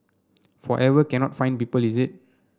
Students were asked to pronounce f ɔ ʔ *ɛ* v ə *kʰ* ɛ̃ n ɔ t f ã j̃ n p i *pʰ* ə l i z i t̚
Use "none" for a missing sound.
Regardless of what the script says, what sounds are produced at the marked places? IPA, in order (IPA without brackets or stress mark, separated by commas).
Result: ɛ, k, p